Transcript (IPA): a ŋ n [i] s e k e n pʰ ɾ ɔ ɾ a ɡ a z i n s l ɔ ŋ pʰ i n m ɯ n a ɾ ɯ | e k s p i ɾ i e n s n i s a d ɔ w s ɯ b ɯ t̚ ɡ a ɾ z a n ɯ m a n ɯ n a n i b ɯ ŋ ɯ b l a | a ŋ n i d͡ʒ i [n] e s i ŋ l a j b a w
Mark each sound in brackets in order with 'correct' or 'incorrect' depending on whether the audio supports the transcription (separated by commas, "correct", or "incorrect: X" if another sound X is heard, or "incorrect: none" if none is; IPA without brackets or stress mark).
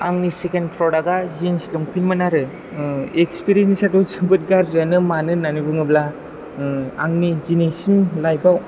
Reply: correct, correct